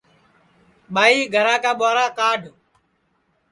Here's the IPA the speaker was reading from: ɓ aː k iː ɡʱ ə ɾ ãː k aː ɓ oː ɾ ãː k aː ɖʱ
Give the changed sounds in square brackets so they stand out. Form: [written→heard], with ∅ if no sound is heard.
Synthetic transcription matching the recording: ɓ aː [k→∅] iː ɡʱ ə ɾ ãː k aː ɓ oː ɾ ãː k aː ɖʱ

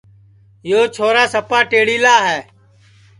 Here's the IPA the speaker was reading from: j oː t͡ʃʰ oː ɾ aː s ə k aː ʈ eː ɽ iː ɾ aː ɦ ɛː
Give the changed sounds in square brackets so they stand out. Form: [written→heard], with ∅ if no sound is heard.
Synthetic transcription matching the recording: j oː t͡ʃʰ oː ɾ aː s ə [k→p] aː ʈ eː ɽ iː [ɾ→l] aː ɦ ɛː

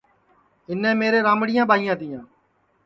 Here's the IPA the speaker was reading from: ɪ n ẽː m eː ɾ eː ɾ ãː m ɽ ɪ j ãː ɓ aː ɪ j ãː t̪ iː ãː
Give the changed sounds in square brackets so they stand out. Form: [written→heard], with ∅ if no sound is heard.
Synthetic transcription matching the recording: ɪ n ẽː m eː ɾ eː ɾ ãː m ɽ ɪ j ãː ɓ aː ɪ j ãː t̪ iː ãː

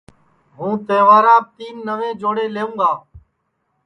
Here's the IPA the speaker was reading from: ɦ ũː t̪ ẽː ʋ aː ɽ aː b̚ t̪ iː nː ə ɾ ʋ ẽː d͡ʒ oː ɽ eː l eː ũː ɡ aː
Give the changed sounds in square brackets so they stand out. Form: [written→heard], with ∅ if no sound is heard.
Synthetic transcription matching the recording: ɦ ũː t̪ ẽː ʋ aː [ɽ→ɾ] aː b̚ t̪ iː nː ə [ɾ→∅] ʋ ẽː d͡ʒ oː ɽ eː l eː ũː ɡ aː

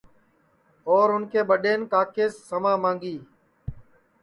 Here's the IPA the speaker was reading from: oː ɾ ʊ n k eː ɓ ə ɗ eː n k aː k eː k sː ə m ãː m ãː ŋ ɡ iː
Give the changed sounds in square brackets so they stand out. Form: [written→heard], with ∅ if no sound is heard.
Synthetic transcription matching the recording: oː ɾ ʊ n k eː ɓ ə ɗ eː n k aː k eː [k→∅] sː ə m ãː m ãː ŋ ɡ iː

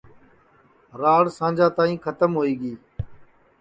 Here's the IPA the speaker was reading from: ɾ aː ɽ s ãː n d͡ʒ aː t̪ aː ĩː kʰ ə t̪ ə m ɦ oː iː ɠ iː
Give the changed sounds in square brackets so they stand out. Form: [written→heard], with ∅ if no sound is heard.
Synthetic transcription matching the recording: ɾ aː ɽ s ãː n d͡ʒ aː t̪ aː ĩː kʰ ə t̪ ə m ɦ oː iː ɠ iː

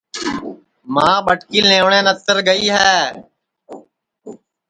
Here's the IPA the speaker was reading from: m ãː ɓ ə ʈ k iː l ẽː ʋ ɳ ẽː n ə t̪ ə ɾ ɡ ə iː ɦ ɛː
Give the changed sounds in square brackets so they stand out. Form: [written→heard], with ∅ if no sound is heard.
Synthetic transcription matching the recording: m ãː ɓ ə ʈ k iː l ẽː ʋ ɳ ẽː n ə t̪ ə ɾ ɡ ə iː ɦ ɛː

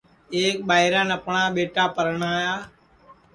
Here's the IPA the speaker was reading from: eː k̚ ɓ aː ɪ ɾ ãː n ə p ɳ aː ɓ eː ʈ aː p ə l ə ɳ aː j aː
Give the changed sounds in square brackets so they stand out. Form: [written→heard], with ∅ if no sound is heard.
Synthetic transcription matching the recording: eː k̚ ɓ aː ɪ ɾ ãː n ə p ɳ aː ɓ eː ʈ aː p ə [l→ɾ] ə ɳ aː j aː

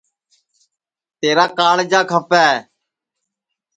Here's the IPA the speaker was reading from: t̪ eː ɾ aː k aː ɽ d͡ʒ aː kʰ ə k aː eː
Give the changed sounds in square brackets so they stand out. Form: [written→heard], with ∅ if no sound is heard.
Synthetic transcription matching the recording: t̪ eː ɾ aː k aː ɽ d͡ʒ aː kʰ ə [k→p] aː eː

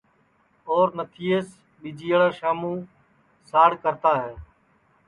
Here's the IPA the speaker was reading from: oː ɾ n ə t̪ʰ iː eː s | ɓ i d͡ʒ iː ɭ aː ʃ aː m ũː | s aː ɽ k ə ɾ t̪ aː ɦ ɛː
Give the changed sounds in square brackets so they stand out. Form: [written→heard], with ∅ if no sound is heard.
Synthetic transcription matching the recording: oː ɾ n ə t̪ʰ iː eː s | ɓ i d͡ʒ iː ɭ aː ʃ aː m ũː | s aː ɽ k ə ɾ t̪ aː ɦ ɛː

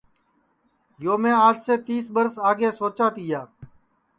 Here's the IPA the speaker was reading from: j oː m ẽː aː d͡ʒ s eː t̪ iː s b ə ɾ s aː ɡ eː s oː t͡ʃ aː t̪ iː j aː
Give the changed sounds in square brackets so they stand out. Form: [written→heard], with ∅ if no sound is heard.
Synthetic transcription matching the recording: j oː m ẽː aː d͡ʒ s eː t̪ iː s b ə ɾ s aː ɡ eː s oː t͡ʃ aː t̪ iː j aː

